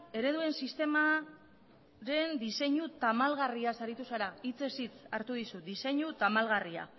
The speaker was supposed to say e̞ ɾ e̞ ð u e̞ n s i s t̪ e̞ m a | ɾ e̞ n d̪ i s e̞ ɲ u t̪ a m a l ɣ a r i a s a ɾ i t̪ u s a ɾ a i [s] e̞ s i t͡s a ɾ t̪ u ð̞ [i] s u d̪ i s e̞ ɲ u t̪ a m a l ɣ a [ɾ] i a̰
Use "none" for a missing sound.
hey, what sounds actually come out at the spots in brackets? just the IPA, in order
t͡s, i, r

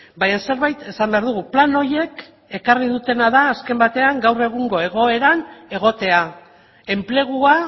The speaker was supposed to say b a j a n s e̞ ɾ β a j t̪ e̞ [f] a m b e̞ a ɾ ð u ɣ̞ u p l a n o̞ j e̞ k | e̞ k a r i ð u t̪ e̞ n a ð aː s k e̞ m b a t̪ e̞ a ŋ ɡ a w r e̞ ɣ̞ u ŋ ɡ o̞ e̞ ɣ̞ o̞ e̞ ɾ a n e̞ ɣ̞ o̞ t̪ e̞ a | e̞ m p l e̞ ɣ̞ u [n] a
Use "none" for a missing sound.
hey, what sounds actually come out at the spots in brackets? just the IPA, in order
s, none

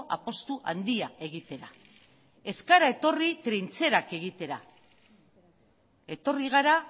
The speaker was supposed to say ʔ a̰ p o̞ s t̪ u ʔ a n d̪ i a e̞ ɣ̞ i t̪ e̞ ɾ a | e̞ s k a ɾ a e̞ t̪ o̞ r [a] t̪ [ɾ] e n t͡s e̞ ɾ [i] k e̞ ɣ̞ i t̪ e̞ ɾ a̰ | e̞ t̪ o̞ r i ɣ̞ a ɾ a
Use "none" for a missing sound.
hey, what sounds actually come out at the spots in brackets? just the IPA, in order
i, ɾ, a

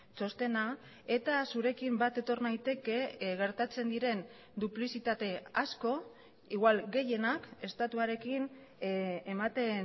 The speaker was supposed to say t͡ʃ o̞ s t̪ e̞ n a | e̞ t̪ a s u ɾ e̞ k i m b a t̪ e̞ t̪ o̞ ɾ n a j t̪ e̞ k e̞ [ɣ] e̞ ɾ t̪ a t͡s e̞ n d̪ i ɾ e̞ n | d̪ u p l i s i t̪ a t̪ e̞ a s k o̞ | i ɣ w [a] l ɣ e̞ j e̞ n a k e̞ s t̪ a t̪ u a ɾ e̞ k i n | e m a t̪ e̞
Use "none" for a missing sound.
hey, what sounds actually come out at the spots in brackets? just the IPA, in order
ɣ, a

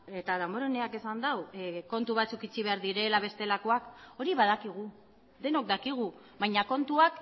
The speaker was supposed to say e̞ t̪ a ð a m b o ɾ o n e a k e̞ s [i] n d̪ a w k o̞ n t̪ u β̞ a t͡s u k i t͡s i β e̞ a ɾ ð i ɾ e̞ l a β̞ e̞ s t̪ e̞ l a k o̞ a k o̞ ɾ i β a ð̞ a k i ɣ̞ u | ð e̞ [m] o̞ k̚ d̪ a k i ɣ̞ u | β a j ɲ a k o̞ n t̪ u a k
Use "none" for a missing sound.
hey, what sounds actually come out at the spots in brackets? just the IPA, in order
a, n

